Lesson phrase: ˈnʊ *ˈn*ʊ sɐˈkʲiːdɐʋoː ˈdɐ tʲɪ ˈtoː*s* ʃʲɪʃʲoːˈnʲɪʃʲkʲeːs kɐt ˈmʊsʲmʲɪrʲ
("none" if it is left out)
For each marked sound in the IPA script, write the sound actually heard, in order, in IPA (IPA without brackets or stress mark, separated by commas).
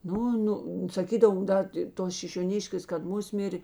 n, s